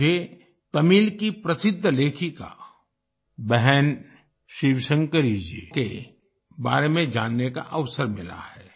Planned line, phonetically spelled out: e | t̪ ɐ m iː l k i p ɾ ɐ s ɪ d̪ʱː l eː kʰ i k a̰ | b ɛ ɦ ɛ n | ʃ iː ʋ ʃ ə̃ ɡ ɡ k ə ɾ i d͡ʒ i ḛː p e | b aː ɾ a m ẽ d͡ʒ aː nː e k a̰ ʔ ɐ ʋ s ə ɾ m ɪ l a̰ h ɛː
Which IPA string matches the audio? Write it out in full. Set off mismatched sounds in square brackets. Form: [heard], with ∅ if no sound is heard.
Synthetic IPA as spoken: e | t̪ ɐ m iː l k i p ɾ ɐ s ɪ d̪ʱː l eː kʰ i k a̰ | b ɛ ɦ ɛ n | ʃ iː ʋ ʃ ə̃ [ŋ] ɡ k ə ɾ i d͡ʒ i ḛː [k] e | b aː ɾ [e] m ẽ d͡ʒ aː nː e k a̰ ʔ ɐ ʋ s ə ɾ m ɪ l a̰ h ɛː